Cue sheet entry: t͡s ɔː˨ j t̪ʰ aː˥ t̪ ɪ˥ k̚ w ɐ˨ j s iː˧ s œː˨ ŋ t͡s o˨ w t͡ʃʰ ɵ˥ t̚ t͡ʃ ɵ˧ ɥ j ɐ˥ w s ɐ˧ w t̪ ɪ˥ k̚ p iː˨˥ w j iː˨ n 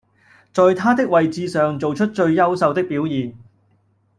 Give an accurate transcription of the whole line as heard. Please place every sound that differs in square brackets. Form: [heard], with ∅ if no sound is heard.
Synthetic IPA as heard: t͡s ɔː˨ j t̪ʰ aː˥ t̪ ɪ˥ k̚ w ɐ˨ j [t͡s] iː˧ s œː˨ ŋ t͡s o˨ w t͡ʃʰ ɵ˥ t̚ t͡ʃ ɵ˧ ɥ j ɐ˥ w s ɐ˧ w t̪ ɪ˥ k̚ p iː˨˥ w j iː˨ n